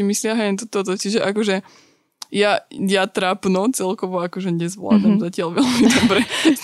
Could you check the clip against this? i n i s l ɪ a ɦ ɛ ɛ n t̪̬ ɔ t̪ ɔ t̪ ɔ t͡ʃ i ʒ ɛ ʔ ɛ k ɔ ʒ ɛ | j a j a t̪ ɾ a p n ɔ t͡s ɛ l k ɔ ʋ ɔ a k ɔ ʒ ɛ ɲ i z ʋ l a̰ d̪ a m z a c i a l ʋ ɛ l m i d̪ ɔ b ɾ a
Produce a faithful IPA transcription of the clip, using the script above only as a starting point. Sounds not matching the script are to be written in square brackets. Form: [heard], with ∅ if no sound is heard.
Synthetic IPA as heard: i [m] i s l ɪ a ɦ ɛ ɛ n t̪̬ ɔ t̪ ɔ t̪ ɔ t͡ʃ i ʒ ɛ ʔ [a] k ɔ ʒ ɛ | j a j a t̪ ɾ a p n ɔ t͡s ɛ l k ɔ ʋ ɔ a k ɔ ʒ ɛ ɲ [ɛ] z ʋ l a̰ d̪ a m z a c [ɪ] a l ʋ ɛ l m i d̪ ɔ b ɾ [ɛ]